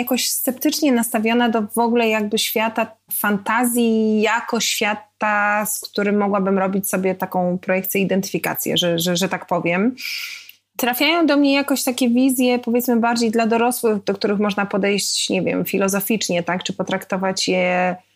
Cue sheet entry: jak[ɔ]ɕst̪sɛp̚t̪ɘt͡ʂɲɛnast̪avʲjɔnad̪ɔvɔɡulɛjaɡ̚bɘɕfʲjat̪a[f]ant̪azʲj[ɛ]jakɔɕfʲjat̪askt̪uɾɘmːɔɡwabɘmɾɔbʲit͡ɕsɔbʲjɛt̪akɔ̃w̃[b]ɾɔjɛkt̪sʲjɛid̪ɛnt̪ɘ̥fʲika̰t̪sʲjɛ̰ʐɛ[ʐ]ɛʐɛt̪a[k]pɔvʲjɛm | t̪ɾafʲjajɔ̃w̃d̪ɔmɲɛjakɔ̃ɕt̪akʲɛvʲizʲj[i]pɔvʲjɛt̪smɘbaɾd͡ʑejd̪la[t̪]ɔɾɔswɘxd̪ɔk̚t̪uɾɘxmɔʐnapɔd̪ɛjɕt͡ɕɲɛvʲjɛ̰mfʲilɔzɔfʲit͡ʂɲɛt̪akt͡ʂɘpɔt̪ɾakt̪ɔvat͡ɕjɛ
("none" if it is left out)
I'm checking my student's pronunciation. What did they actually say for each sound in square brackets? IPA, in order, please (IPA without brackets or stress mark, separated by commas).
ɔ, f, i, p, ʐ, k, ɛ, d̪